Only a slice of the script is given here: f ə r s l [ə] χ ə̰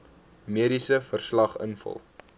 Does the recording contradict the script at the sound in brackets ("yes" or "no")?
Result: yes